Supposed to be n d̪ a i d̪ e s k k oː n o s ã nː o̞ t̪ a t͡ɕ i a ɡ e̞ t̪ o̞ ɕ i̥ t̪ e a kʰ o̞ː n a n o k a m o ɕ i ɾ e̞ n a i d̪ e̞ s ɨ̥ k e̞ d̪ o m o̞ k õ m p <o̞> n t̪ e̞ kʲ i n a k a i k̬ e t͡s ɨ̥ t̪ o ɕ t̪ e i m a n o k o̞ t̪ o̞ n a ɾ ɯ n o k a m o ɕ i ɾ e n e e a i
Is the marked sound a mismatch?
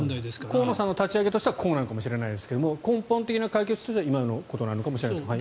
yes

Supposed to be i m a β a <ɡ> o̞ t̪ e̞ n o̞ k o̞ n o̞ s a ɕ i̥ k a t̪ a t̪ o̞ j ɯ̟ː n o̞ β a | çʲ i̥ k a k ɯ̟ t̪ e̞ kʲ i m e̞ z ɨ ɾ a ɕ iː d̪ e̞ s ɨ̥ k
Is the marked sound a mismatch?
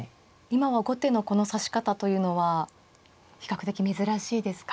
no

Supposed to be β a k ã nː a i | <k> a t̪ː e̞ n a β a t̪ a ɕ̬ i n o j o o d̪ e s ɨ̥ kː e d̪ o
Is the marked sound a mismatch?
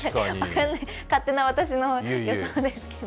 no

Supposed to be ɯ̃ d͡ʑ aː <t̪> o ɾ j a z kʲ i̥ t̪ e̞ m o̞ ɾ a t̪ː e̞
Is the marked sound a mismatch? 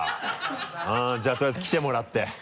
no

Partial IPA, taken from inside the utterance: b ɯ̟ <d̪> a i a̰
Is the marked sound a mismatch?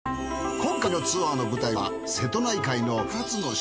yes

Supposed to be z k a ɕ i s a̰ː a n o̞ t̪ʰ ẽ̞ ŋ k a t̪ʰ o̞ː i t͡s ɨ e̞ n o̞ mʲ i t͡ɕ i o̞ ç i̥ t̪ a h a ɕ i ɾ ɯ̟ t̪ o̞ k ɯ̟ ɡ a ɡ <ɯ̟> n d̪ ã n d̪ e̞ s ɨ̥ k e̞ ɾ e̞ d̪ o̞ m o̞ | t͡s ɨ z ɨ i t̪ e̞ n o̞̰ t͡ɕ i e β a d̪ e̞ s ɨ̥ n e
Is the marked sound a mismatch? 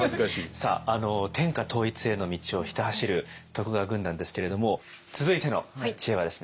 yes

